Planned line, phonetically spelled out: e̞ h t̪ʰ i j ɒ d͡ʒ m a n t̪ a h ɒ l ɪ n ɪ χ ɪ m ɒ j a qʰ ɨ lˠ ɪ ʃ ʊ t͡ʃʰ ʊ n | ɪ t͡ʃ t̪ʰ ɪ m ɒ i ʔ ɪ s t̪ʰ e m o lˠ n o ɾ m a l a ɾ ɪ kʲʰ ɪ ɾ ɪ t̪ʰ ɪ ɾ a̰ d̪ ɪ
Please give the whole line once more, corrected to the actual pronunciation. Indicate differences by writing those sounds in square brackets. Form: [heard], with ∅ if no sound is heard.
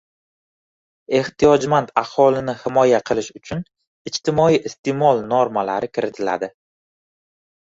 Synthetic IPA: e̞ h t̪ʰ i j ɒ d͡ʒ m a n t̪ a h ɒ l ɪ n ɪ [h] ɪ m ɒ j a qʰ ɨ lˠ ɪ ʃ ʊ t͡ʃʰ ʊ n | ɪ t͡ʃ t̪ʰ ɪ m ɒ i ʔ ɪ s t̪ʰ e m [ɒ] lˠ n o ɾ m a l a ɾ ɪ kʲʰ ɪ ɾ ɪ t̪ʰ ɪ [l] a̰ d̪ ɪ